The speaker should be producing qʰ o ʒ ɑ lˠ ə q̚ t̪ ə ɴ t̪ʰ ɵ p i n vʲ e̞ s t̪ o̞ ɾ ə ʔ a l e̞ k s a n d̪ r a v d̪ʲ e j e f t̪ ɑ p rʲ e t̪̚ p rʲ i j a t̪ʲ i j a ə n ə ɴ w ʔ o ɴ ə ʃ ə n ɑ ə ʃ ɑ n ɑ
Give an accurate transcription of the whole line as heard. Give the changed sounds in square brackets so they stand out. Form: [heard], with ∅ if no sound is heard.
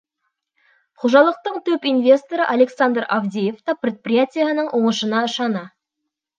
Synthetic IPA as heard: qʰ o ʒ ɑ lˠ ə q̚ t̪ ə ɴ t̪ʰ ɵ p i n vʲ e̞ s t̪ o̞ ɾ ə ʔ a l e̞ k s a n d̪ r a v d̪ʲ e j e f t̪ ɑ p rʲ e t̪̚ p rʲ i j a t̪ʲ i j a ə n ə ɴ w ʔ o ɴ ə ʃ ə n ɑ ə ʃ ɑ n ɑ